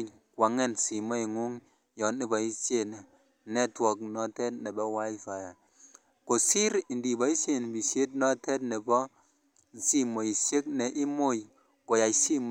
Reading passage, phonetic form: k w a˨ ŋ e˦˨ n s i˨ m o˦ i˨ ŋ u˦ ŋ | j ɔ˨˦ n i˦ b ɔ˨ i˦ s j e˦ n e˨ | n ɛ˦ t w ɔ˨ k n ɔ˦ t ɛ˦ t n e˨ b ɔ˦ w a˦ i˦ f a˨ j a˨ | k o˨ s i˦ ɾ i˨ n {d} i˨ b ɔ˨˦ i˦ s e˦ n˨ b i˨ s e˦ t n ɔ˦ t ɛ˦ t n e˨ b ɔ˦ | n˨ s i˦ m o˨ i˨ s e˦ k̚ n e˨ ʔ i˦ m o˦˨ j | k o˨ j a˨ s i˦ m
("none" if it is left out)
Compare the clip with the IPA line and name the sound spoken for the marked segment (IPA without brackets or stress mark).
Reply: d